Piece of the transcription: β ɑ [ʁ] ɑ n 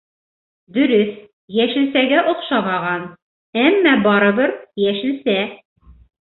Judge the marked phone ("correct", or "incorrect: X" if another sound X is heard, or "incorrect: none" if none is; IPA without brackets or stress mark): correct